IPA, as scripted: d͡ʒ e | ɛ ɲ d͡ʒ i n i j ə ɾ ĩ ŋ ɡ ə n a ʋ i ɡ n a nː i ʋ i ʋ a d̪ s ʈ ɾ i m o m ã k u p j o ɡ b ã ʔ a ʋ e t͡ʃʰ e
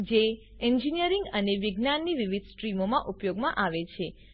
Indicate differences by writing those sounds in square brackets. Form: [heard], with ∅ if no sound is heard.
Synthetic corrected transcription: d͡ʒ e | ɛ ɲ d͡ʒ i n i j ə ɾ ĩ ŋ ɡ ə n [e] ʋ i ɡ n a nː i ʋ i ʋ [i] d̪ s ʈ ɾ i m o m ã [ʔ] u p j o ɡ [m] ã ʔ a ʋ e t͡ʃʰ e